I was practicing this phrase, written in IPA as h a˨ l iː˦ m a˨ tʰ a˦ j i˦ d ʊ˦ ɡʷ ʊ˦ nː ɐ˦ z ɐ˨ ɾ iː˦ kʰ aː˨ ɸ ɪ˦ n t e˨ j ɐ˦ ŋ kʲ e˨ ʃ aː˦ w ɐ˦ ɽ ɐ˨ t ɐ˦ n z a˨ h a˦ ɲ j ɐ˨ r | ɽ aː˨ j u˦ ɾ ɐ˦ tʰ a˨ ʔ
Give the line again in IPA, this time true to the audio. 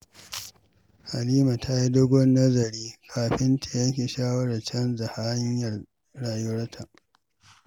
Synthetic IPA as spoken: h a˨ l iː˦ m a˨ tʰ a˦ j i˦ d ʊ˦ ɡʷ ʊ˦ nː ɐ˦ z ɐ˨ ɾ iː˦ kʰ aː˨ ɸ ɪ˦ n t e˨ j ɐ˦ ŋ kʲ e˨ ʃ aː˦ w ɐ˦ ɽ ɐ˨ t͡ʃ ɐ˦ n z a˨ h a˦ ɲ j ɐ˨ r | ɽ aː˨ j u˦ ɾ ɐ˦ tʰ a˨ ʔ